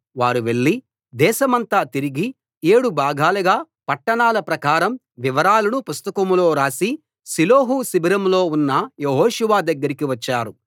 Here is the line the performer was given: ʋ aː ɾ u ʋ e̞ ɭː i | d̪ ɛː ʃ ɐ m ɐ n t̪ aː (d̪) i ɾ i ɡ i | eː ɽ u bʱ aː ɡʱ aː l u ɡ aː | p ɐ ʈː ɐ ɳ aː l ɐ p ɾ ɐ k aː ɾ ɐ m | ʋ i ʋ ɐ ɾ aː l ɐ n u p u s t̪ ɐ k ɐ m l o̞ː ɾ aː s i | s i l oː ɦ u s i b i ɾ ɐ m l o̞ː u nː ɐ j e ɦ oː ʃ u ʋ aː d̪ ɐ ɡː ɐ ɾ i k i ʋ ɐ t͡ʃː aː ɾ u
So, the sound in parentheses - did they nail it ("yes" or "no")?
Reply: no